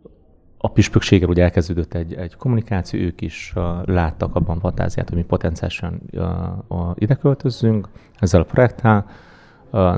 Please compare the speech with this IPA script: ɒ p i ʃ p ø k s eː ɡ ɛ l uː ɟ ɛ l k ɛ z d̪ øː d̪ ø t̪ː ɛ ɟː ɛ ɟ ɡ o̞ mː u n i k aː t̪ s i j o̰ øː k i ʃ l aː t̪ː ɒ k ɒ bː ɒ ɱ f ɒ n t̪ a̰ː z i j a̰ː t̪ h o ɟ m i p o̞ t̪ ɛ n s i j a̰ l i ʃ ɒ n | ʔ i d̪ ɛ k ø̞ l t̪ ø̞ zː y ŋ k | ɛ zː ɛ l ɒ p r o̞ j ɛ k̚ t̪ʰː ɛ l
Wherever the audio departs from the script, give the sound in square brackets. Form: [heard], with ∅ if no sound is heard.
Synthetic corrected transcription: ɒ p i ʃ p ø k [ʃ] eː ɡ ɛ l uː ɟ ɛ l k ɛ z d̪ øː d̪ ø t̪ː ɛ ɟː ɛ ɟ [k] o̞ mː u n i k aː t̪ s i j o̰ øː k i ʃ l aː t̪ː ɒ k ɒ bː ɒ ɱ f ɒ n t̪ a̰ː z i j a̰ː t̪ h o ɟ m i p o̞ t̪ ɛ n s i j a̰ l i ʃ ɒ n | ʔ i d̪ ɛ k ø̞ l t̪ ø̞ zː y ŋ k | ɛ zː ɛ l ɒ p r o̞ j ɛ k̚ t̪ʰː ɛ l